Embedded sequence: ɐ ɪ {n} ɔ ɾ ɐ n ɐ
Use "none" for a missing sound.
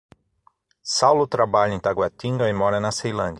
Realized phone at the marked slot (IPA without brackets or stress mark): m